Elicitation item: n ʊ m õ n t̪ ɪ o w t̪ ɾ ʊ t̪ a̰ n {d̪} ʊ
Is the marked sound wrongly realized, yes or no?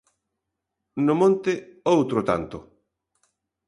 yes